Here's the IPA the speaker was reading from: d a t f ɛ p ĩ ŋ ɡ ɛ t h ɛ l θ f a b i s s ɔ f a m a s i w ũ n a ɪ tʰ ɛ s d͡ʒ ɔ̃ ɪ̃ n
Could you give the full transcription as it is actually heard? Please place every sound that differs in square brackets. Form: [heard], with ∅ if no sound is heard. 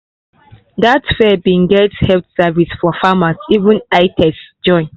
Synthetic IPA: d a t f ɛ [b] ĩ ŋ ɡ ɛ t h ɛ l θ [s] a [v] i s [f] ɔ f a m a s i [v] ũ n a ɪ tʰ ɛ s d͡ʒ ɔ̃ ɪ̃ n